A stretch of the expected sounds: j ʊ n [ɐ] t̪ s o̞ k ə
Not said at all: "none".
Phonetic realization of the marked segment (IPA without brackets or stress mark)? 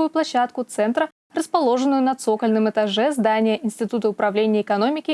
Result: ɐ